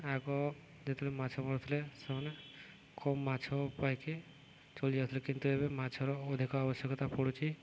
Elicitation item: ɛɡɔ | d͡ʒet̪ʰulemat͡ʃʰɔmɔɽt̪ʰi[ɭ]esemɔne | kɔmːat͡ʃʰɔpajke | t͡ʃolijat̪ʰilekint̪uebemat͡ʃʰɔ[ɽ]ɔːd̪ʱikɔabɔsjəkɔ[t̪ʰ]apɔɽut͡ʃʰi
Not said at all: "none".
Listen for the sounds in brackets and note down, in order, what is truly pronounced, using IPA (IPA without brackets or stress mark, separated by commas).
l, ɾ, t̪